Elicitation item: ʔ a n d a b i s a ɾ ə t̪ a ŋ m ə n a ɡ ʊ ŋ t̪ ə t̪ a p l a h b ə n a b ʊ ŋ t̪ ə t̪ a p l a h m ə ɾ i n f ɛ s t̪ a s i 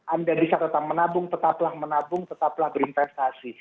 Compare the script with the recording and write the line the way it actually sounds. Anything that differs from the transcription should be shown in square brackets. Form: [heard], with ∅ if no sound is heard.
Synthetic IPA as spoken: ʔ a n d a b i s a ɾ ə t̪ a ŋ m ə n a [b] ʊ ŋ t̪ ə t̪ a p l a h [m] ə n a b ʊ ŋ t̪ ə t̪ a p l a h [b] ə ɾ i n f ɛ s t̪ a s i